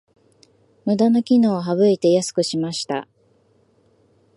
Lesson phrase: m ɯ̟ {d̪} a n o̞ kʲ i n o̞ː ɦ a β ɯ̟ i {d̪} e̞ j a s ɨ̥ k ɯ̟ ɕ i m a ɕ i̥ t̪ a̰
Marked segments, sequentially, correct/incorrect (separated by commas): correct, incorrect